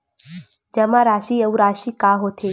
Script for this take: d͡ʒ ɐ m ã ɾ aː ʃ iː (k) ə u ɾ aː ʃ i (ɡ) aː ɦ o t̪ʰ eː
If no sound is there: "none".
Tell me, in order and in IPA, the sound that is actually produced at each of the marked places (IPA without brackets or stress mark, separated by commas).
none, k